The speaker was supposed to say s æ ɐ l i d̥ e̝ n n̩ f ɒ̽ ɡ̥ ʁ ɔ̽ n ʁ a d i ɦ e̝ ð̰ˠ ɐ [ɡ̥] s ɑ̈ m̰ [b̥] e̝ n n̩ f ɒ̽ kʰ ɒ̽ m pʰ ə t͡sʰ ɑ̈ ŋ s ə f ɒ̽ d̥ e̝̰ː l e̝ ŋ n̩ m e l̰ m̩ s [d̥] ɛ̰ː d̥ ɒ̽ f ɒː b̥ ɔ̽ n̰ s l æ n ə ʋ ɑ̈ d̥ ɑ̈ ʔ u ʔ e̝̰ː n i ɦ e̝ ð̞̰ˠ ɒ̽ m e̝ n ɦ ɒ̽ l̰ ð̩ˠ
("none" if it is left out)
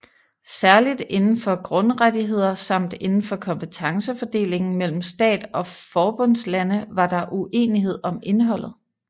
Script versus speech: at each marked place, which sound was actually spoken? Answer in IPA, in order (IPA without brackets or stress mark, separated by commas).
none, d̥, d̥